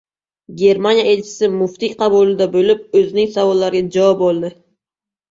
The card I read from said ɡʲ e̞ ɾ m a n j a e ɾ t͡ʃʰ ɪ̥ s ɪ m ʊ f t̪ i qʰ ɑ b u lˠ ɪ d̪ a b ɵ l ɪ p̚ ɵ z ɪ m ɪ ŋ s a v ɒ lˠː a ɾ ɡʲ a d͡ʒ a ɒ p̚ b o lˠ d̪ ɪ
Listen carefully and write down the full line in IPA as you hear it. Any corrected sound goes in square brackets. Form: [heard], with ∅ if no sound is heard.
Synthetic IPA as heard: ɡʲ e̞ ɾ m a n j a e [l] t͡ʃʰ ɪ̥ s ɪ m ʊ f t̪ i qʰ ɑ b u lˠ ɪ d̪ a b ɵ l ɪ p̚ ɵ z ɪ [n] ɪ ŋ s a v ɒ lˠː a ɾ ɡʲ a d͡ʒ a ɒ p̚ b o lˠ d̪ ɪ